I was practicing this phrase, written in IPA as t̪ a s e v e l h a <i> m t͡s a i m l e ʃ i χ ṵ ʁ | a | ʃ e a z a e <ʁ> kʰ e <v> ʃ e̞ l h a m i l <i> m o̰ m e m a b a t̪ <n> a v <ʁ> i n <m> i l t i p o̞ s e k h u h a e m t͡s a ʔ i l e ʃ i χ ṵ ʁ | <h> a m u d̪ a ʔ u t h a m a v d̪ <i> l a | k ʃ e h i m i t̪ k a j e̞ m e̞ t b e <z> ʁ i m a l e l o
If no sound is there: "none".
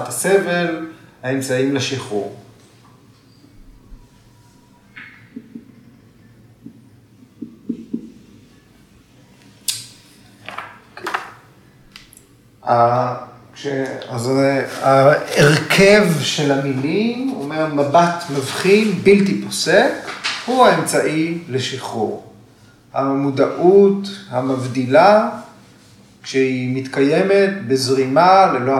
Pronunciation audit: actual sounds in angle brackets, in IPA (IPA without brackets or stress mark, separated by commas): e, ʁ, v, i, m, χ, b, h, i, z